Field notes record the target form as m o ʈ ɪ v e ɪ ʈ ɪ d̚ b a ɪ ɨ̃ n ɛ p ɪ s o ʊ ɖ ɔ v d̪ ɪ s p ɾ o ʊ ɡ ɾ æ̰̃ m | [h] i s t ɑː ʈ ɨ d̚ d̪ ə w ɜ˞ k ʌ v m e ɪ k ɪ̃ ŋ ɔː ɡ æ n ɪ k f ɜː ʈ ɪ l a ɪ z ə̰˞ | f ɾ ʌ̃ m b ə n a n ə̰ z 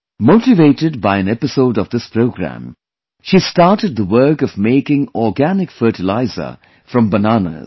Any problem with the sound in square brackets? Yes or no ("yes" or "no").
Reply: yes